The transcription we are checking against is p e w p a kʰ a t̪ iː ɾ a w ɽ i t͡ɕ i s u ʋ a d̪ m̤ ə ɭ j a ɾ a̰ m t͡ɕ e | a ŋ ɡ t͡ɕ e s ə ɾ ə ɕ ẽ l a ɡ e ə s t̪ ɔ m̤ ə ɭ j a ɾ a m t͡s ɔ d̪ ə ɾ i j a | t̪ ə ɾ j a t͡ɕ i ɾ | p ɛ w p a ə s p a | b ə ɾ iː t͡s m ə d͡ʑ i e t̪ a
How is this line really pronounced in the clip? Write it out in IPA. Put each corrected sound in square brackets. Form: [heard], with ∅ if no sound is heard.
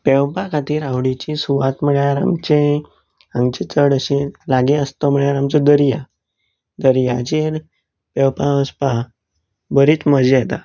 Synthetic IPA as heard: p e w p a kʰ a t̪ iː ɾ a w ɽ i t͡ɕ i s u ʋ a [t̪] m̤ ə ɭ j a ɾ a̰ m t͡ɕ e | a ŋ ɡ t͡ɕ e [t͡s] ə [ɽ] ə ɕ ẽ l a ɡ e ə s t̪ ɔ m̤ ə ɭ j a ɾ a m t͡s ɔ d̪ ə ɾ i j a | [d̪] ə ɾ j a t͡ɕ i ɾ | p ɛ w p a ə s p a | b ə ɾ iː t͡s m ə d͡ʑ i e t̪ a

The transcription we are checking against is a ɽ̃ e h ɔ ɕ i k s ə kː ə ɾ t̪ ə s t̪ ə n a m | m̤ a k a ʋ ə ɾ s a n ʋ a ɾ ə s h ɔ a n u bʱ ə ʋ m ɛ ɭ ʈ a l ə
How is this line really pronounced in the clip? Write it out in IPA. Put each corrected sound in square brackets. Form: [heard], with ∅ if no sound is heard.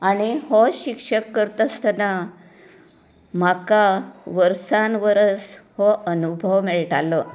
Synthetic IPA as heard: a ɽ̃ [i] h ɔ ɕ i k [ʂ] ə kː ə ɾ t̪ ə s t̪ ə n a [∅] | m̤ a k a ʋ ə ɾ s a n ʋ [ə] ɾ ə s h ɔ [ə] n u bʱ ə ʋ m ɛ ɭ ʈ a l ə

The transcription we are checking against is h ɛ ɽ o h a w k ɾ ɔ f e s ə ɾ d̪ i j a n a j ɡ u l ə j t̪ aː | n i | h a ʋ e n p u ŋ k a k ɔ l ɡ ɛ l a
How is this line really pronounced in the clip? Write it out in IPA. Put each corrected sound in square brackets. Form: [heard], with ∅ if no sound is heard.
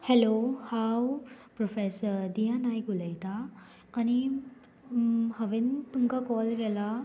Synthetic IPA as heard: h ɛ [l] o h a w [p] ɾ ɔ f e s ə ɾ d̪ i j a n a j ɡ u l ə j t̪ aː | n i | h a ʋ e n p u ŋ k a k ɔ l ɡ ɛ l a

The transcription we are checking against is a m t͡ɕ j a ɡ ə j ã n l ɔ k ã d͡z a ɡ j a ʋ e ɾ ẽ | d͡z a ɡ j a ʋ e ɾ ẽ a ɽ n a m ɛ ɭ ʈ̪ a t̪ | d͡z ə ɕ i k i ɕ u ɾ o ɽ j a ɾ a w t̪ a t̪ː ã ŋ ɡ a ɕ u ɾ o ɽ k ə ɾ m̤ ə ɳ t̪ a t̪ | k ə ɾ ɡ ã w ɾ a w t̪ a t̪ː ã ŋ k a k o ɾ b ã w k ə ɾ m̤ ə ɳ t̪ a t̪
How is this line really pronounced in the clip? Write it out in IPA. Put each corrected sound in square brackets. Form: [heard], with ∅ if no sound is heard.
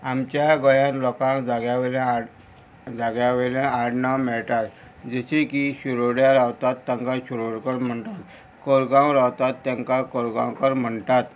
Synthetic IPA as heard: a m t͡ɕ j a ɡ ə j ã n l ɔ k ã d͡z a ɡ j a ʋ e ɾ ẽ | d͡z a ɡ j a ʋ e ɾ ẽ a ɽ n a m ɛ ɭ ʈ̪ a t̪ | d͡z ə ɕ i k i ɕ u ɾ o ɽ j a ɾ a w t̪ a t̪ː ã ŋ [k] a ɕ u ɾ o ɽ k ə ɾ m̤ ə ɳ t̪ a t̪ | k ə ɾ ɡ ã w ɾ a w t̪ a t̪ː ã ŋ k a k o ɾ [ɡ] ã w k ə ɾ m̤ ə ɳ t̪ a t̪

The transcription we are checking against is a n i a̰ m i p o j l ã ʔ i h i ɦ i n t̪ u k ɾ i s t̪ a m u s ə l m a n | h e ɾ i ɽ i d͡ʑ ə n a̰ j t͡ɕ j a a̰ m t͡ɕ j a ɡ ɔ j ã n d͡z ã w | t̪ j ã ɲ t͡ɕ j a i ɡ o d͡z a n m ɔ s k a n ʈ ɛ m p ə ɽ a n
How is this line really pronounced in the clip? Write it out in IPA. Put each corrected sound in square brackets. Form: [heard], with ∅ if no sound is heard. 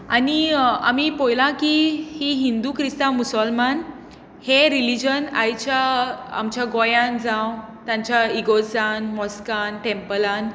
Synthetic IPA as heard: a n i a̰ m i p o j l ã [k] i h i ɦ i n [d̪] u k ɾ i s t̪ a m u s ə l m a n | h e ɾ i [l] i d͡ʑ ə n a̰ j t͡ɕ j a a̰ m t͡ɕ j a ɡ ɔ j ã n d͡z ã w | t̪ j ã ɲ t͡ɕ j a i ɡ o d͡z a n m ɔ s k a n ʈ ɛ m p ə [l] a n

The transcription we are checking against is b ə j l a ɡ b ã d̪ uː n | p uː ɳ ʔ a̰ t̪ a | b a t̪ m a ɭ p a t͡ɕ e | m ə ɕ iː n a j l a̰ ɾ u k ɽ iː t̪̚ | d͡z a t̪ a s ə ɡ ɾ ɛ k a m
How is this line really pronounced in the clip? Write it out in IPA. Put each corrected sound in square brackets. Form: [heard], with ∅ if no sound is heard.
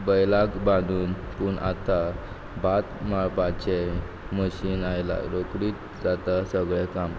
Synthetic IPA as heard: b ə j l a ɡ b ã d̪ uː n | p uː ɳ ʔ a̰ t̪ a | b a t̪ m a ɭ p a t͡ɕ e | m ə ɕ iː n a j l a̰ ɾ [o] k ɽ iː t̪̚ | d͡z a t̪ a s ə ɡ [ɭ] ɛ k a m

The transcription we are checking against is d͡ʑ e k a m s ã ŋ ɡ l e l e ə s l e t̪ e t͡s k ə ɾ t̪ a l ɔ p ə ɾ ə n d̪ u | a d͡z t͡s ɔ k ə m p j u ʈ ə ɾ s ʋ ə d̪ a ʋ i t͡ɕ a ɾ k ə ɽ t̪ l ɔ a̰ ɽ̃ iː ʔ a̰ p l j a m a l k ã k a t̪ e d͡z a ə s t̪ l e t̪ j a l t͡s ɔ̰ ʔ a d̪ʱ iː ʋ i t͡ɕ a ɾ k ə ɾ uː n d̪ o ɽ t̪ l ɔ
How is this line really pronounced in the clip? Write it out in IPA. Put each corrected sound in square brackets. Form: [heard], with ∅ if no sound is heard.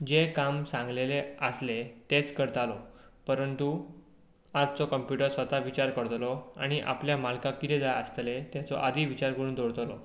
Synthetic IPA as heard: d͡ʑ e k a m s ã ŋ ɡ l e l e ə s l e t̪ e t͡s k ə ɾ t̪ a l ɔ p ə ɾ ə n [t̪] u | a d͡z t͡s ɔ k ə m p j u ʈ ə ɾ s ʋ ə [t̪] a ʋ i t͡ɕ a ɾ k ə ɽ t̪ l ɔ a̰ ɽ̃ [i] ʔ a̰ p l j a m a l k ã k [i] t̪ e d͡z a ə s t̪ l e t̪ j a [∅] t͡s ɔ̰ ʔ a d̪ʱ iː ʋ i t͡ɕ a ɾ k ə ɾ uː n d̪ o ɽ t̪ l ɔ

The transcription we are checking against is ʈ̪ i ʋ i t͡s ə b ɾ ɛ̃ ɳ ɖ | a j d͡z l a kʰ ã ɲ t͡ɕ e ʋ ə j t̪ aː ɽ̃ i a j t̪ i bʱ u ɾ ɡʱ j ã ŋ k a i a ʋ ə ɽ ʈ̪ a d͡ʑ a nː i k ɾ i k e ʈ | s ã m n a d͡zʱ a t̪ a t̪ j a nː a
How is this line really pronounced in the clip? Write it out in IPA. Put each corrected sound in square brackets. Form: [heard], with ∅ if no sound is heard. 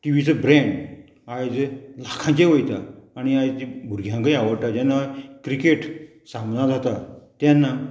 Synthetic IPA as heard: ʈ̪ i ʋ i t͡s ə b ɾ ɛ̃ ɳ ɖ | a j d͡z l a kʰ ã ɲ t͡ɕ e ʋ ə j t̪ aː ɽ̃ i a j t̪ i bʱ u ɾ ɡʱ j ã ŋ k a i a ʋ ə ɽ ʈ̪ a d͡ʑ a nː [a] k ɾ i k e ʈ | s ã m n a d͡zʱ a t̪ a t̪ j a nː a

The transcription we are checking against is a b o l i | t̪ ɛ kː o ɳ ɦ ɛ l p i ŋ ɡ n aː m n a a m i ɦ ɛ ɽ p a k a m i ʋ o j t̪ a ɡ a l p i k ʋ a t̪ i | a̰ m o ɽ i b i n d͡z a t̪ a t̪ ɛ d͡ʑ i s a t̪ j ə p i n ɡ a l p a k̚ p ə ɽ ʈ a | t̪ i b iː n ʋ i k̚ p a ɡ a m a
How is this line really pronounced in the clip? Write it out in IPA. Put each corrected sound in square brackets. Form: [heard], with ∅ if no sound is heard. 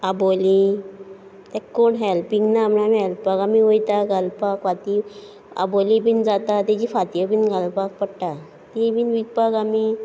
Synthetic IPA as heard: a b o l i | t̪ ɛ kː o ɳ ɦ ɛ l p i ŋ ɡ n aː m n a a m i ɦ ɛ [l] p a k a m i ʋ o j t̪ a ɡ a l p [a] k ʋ a t̪ i | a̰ [b] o [l] i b i n d͡z a t̪ a t̪ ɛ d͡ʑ i [f] a t̪ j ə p i n ɡ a l p a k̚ p ə ɽ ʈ a | t̪ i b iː n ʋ i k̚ p a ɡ a m [i]

